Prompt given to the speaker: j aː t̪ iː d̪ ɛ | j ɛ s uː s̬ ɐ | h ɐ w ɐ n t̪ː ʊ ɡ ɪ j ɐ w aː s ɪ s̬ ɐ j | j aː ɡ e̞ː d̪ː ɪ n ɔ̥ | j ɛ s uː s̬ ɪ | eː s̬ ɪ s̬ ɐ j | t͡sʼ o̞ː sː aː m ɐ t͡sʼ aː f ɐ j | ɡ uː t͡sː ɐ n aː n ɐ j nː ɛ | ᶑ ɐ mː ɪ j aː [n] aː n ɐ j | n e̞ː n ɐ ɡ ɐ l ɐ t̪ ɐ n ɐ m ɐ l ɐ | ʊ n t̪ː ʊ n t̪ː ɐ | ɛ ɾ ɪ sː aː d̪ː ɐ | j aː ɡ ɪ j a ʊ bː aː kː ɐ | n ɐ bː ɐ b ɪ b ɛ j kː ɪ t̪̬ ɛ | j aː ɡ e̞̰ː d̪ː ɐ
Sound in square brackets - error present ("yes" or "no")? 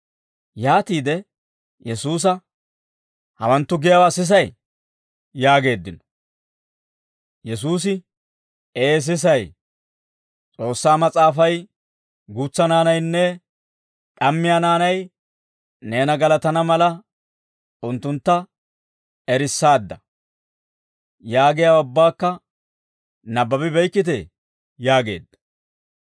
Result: no